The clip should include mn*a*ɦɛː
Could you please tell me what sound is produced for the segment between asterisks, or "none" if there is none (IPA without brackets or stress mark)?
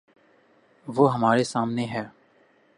e